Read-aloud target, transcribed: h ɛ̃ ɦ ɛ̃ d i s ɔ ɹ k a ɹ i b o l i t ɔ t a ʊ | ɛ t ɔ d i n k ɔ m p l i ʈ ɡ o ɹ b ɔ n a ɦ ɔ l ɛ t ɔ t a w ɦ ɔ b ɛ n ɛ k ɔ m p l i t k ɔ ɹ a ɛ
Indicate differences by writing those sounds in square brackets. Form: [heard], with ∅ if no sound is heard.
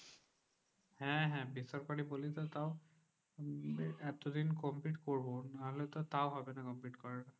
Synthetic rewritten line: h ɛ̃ ɦ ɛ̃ [b] i s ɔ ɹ k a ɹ i b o l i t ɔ t a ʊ | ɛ t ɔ d i n k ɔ m p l i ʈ [k] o ɹ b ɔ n a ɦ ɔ l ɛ t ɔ t a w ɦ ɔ b ɛ n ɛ k ɔ m p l i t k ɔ ɹ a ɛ